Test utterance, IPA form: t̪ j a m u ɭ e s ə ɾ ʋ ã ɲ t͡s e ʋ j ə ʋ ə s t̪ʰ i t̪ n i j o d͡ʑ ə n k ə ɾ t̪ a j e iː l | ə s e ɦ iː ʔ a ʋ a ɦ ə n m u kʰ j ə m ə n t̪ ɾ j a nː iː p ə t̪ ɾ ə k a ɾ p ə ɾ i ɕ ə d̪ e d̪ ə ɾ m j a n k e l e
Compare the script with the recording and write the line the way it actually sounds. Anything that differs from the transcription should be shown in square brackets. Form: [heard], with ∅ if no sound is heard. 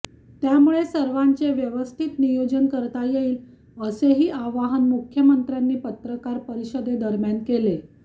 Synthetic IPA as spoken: t̪ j a m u ɭ e s ə ɾ ʋ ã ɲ t͡s e ʋ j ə ʋ ə s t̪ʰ i t̪ n i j o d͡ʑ ə n k ə ɾ t̪ a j e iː l | ə s e ɦ iː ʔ a ʋ a ɦ ə n m u kʰ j ə m ə n t̪ ɾ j a nː iː p ə t̪ ɾ ə k a ɾ p ə ɾ i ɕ ə d̪ e d̪ ə ɾ m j a n k e l e